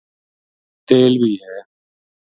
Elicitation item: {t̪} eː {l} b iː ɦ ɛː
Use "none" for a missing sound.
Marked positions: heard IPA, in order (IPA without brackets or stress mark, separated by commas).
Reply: t̪, l